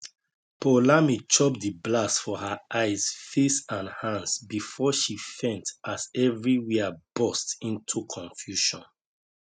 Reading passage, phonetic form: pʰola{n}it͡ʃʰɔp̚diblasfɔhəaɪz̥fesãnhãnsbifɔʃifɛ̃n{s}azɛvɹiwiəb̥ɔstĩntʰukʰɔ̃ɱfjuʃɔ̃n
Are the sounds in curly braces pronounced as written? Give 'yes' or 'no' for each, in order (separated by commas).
no, no